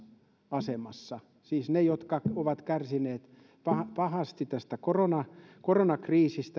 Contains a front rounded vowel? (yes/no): no